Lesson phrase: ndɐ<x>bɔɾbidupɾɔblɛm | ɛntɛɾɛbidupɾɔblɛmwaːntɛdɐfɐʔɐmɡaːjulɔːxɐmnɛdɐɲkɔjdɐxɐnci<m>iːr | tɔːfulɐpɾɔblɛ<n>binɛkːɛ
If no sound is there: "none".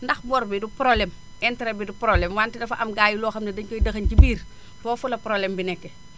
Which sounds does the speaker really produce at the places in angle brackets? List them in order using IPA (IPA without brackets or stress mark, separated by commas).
x, b, m